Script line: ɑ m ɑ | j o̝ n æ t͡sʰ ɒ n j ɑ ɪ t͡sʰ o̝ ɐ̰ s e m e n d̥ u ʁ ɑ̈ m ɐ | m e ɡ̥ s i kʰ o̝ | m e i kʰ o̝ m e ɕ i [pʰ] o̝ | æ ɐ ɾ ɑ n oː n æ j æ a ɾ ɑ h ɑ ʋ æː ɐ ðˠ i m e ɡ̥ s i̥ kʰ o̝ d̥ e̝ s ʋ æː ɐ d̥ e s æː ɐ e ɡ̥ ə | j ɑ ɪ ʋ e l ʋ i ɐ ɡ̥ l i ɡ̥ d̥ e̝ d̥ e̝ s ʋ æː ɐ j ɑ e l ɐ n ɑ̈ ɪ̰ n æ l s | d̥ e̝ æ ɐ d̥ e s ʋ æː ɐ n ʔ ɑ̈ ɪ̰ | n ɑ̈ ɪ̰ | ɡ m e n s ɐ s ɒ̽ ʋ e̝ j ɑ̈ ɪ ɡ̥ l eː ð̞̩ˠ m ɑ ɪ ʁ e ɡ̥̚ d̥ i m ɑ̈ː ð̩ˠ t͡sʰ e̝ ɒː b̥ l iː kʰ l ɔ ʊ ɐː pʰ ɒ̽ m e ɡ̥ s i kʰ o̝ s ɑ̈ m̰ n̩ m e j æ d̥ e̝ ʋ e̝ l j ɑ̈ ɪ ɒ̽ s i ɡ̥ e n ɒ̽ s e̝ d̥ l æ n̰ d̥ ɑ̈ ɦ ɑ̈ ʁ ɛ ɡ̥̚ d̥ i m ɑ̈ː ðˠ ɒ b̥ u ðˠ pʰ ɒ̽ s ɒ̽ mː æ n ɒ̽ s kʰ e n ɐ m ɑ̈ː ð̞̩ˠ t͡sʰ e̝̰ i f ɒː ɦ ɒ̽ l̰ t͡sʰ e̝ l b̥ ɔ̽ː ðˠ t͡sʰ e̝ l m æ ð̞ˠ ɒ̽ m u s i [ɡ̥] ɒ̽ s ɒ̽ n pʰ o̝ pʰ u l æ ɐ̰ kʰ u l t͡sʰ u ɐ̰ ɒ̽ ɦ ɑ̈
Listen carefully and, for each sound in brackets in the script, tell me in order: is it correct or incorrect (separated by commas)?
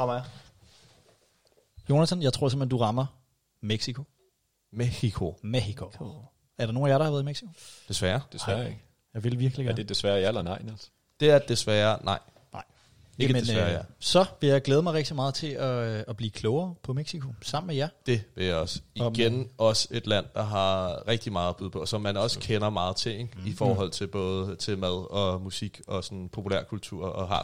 incorrect, correct